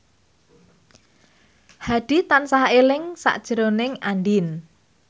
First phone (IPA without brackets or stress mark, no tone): h